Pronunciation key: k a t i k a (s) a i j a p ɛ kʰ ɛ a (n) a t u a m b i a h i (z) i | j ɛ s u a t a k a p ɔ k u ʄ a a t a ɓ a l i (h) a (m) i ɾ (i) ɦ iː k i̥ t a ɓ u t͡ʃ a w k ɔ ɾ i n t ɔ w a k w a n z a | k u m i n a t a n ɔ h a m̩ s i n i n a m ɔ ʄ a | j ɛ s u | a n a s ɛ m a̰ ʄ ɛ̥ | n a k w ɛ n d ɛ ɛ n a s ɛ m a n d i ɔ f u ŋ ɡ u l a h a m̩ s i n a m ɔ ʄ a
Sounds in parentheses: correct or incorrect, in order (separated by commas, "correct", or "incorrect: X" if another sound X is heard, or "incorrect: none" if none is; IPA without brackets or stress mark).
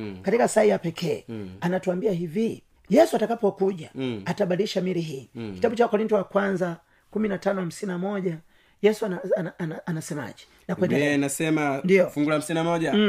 correct, correct, incorrect: v, incorrect: ʃ, correct, correct